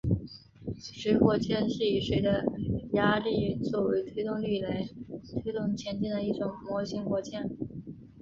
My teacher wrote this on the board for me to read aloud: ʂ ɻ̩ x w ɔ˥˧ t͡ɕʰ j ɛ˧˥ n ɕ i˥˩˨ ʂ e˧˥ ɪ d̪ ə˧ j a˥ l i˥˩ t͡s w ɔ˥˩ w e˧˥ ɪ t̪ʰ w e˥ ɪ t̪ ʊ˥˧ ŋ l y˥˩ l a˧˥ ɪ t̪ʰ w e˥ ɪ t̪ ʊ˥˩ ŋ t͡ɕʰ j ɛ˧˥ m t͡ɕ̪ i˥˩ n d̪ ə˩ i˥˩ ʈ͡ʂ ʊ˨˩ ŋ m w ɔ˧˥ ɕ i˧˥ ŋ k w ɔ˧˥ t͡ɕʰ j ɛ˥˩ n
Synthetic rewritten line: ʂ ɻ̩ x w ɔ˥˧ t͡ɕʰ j ɛ˥˧ n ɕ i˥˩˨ ʂ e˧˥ ɪ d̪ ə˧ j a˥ l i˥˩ t͡s w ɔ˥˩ w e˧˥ ɪ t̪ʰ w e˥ ɪ t̪ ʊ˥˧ ŋ l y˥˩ l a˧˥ ɪ t̪ʰ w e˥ ɪ t̪ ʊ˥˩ ŋ t͡ɕʰ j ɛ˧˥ n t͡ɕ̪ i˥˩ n d̪ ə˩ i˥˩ ʈ͡ʂ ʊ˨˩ ŋ m w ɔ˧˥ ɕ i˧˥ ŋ k w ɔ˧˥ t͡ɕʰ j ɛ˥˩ n